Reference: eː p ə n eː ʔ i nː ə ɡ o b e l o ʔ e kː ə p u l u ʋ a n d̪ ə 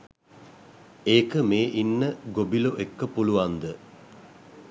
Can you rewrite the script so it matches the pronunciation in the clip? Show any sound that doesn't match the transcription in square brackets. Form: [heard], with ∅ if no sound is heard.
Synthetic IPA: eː [k] ə [m] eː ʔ i nː ə ɡ o b [i] l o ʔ e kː ə p u l u ʋ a n d̪ ə